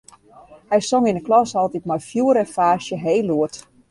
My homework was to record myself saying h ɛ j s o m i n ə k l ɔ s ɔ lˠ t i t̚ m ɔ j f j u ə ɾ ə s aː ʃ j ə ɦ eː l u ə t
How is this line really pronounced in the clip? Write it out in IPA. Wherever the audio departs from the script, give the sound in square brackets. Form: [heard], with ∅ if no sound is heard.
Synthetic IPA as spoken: h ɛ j s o [ŋ] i n ə k l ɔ s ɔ lˠ t i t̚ m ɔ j f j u ə ɾ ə [f] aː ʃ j ə ɦ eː l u ə t